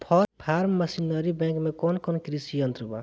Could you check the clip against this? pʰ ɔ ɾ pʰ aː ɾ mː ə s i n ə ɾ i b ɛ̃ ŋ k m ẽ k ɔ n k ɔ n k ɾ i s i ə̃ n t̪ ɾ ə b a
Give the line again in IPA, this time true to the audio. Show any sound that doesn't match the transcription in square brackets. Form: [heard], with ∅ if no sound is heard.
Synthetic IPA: pʰ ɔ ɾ pʰ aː ɾ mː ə s i n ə ɾ i b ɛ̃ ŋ k m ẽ k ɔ n k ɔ n k ɾ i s i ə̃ n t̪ ɾ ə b a